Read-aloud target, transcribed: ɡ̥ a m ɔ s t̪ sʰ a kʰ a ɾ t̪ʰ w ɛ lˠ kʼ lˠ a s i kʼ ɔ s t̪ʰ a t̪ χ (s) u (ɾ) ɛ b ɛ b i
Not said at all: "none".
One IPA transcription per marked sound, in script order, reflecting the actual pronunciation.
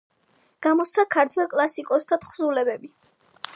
z, l

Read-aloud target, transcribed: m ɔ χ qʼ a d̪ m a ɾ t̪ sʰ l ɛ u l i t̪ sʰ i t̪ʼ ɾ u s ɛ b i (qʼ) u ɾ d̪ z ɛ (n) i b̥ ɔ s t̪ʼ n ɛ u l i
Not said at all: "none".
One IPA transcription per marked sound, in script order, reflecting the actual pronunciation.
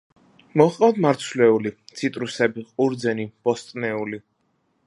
qʼ, n

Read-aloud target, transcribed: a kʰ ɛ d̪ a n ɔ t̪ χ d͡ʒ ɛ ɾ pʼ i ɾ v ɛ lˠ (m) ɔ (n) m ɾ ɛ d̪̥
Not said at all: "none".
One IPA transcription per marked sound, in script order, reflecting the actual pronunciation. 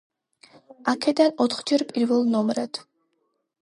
n, none

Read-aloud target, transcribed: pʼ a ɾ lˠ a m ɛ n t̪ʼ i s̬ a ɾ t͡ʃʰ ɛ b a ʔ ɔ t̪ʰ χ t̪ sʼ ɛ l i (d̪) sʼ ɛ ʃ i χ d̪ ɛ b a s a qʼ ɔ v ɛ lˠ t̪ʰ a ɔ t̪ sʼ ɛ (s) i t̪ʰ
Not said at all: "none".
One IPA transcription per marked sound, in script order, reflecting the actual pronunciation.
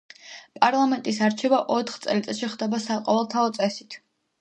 t̪, s

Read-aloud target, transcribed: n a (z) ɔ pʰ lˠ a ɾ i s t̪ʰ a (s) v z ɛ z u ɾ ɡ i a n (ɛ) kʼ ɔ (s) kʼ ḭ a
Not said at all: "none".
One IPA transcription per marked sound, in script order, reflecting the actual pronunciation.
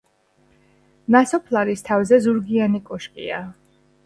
s, none, i, ʃ

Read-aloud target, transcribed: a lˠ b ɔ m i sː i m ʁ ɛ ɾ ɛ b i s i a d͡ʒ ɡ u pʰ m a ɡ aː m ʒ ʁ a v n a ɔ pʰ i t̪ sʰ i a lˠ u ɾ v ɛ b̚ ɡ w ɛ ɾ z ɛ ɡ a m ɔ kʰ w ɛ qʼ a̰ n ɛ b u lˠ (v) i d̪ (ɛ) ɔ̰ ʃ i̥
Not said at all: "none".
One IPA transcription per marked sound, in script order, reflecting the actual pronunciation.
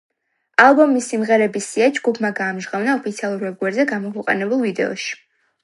v, ɛ

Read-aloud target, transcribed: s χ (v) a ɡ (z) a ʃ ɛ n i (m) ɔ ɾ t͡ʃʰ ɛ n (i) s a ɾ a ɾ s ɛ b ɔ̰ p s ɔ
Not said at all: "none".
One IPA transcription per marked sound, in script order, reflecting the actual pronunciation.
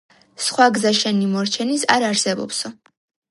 w, z, m, i

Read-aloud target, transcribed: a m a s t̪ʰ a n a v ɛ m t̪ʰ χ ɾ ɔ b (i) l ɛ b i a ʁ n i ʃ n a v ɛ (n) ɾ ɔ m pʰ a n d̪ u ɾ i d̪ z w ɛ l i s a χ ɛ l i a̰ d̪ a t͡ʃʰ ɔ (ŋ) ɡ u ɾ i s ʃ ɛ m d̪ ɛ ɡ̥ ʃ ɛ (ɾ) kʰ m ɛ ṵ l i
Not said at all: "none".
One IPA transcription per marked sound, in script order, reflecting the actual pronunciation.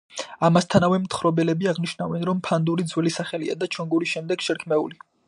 ɛ, n, ŋ, ɾ

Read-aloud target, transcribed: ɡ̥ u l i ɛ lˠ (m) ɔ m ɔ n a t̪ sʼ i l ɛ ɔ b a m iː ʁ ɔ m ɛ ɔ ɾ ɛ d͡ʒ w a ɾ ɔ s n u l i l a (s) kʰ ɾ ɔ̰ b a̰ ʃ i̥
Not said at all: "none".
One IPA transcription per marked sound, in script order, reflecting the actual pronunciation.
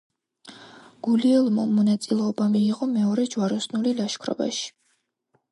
m, ʃ

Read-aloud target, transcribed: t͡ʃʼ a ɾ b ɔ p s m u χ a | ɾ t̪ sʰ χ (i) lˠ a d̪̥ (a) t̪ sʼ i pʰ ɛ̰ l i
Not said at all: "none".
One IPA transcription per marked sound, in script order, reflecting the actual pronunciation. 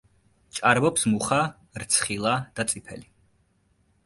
i, a

